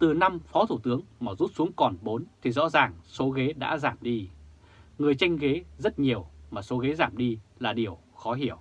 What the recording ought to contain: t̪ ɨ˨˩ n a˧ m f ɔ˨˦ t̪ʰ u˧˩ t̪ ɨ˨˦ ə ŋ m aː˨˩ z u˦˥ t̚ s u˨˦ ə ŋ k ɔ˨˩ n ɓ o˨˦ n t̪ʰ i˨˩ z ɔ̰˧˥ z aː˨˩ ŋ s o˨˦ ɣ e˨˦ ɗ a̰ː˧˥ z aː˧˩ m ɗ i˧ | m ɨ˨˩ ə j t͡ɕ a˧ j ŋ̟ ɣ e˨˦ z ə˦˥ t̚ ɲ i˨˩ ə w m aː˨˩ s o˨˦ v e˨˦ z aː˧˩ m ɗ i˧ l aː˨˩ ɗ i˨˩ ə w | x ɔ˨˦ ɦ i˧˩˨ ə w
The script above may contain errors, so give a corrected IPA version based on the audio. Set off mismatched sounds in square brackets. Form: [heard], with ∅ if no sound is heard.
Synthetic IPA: t̪ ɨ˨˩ n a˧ m f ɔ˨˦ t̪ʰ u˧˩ t̪ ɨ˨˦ ə ŋ m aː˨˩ z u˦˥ t̚ s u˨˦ ə ŋ k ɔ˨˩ n ɓ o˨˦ n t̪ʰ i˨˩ z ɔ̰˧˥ z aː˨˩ ŋ s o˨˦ ɣ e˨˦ ɗ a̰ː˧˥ z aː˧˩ m ɗ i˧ | [ŋ] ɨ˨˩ ə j t͡ɕ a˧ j ŋ̟ ɣ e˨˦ z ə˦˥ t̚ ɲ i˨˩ ə w m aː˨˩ s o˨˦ [ɣ] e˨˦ z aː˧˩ m ɗ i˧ l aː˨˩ ɗ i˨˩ ə w | x ɔ˨˦ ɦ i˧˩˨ ə w